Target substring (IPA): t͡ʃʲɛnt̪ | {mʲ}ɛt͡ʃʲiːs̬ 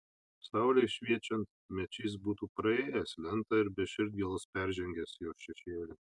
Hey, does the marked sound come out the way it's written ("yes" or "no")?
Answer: yes